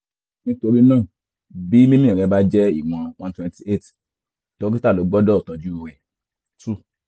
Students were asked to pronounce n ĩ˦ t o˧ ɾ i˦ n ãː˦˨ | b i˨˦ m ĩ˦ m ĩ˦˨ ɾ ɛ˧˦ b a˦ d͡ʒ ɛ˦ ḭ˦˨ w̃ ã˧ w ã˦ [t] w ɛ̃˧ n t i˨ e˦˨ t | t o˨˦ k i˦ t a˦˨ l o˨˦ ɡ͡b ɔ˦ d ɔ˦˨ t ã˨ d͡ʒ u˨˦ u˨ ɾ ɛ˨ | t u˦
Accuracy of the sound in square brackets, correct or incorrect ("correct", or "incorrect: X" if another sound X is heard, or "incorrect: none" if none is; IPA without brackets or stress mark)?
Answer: correct